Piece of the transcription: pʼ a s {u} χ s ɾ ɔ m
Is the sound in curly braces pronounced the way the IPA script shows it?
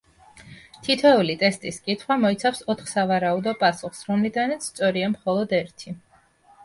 yes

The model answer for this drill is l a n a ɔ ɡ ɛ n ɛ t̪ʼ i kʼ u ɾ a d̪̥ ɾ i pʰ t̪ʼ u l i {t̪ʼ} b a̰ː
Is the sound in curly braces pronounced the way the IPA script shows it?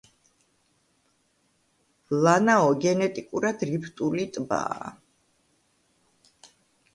yes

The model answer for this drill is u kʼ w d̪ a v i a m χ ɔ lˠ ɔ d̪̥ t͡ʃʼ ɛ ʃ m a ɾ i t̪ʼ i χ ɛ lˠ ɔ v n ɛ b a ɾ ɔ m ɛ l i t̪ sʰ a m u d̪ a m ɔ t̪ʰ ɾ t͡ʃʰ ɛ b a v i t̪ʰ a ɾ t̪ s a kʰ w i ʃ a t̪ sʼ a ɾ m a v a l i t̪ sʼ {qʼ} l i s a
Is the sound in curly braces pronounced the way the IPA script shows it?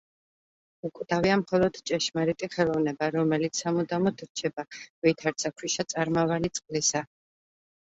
yes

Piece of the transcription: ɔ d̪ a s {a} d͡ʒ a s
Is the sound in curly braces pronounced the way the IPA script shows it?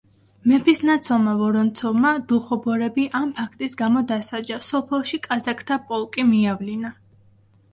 yes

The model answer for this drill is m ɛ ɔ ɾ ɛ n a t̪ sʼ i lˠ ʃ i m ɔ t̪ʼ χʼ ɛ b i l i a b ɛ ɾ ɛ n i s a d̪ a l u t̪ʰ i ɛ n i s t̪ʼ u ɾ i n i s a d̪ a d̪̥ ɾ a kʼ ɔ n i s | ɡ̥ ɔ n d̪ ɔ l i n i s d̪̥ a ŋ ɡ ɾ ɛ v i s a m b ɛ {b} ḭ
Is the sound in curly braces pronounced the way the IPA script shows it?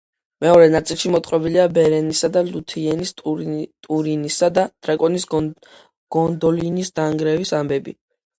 yes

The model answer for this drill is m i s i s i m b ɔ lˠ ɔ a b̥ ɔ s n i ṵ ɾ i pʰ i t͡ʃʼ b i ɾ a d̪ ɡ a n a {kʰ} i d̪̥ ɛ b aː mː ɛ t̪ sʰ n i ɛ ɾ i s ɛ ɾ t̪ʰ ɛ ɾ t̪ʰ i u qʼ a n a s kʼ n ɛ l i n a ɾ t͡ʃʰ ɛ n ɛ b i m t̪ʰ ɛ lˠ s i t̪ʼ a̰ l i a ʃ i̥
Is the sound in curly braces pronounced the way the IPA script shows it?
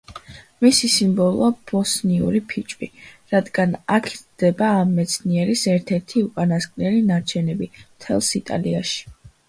yes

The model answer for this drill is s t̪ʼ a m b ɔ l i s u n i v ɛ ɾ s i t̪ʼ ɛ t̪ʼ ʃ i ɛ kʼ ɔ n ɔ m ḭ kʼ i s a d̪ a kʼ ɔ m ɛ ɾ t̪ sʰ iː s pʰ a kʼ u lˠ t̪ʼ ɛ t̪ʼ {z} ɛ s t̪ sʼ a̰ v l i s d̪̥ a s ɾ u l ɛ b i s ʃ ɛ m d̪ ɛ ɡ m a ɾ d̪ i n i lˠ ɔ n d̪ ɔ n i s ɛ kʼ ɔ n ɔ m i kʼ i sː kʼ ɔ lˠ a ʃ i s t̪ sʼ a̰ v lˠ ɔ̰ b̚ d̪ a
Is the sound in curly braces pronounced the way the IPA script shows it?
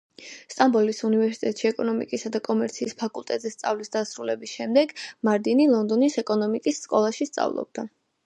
yes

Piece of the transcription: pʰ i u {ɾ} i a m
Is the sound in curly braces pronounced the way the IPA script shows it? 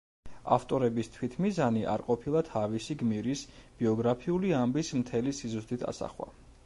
no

